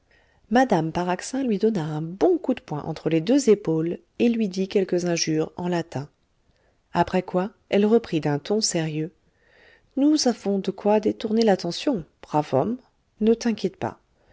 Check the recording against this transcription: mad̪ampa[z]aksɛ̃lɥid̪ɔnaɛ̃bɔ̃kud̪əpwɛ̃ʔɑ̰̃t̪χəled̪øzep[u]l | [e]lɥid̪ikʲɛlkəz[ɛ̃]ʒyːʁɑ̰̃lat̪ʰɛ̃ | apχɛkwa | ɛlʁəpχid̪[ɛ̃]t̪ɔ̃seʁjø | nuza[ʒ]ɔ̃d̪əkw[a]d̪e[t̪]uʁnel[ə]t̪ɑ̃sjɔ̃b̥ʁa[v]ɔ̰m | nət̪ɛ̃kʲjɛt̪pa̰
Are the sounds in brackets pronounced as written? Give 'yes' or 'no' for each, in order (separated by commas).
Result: no, no, yes, yes, yes, no, yes, yes, no, yes